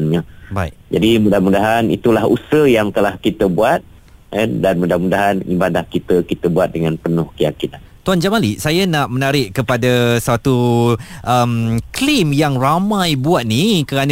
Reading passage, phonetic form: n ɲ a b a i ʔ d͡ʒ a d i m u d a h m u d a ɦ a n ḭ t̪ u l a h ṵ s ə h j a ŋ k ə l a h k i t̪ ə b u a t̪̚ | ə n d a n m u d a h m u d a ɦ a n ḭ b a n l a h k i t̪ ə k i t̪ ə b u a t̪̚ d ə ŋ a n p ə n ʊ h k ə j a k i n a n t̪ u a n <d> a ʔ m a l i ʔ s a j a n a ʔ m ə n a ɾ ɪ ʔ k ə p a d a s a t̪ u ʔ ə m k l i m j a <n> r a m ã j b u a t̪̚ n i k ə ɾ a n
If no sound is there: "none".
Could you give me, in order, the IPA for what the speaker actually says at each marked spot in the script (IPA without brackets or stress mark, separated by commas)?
d͡ʒ, ŋ